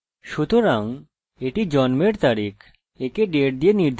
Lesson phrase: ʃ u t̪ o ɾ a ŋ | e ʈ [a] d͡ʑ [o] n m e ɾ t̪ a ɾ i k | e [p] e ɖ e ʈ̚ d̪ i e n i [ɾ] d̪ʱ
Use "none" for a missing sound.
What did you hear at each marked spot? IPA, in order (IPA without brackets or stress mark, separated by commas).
i, ɔ, k, ɾ